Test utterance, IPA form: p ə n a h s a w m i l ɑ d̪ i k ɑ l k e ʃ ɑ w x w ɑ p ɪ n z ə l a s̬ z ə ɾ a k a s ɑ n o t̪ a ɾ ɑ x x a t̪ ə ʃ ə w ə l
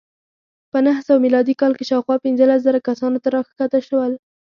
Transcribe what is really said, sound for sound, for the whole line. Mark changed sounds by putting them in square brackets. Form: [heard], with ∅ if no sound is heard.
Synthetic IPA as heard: p ə n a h s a w m i l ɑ d̪ i k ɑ l k e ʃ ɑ w x w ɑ p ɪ n z ə l a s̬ z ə ɾ a k a s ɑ n o t̪ a ɾ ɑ x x a t̪ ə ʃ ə w ə l